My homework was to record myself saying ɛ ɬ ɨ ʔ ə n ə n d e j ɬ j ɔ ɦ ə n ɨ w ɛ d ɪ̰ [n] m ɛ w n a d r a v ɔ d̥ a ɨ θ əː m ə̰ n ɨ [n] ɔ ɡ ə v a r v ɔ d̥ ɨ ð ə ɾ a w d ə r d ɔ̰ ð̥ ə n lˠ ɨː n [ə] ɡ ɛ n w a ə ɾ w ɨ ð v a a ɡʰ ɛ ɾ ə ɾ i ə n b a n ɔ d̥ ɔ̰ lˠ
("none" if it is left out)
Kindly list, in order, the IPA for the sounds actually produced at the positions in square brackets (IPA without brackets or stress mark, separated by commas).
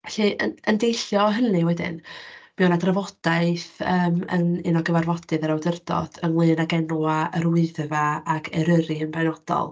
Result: n, n, a